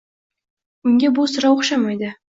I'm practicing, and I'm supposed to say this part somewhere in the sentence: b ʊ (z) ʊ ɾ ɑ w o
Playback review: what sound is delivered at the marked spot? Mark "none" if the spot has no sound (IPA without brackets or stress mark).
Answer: s